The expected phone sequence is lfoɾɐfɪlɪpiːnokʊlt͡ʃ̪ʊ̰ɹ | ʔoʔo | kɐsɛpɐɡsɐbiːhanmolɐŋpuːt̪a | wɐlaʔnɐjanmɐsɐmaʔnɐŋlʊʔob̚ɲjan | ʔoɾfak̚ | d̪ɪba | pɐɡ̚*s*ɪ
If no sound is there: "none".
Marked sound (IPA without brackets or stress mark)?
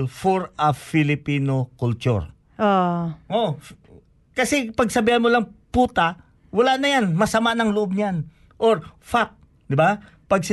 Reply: s